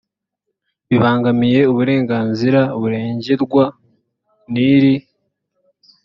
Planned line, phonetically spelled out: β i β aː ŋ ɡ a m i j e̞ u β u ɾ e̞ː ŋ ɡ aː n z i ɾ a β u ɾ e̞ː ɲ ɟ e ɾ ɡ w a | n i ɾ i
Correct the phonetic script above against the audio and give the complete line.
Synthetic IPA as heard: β i β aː ŋ ɡ a m i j e̞ u β u ɾ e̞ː ŋ ɡ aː n z i ɾ a β u ɾ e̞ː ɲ ɟ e ɾ ɡ w a | n i ɾ i